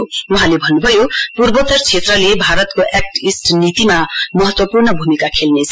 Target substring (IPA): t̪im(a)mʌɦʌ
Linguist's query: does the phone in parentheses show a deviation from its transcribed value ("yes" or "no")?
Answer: no